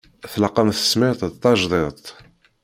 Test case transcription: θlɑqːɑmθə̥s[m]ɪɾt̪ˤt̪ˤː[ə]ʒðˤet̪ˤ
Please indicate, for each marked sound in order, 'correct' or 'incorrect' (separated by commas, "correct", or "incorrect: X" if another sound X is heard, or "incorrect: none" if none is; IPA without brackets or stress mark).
correct, incorrect: ɑ